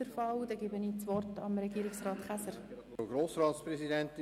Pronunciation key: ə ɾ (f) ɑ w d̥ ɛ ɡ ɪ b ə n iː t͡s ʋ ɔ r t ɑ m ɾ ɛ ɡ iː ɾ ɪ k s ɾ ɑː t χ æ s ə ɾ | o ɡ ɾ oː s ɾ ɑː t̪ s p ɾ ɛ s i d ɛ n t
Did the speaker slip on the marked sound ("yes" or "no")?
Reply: no